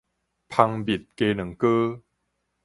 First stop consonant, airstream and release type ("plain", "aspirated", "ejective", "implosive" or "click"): aspirated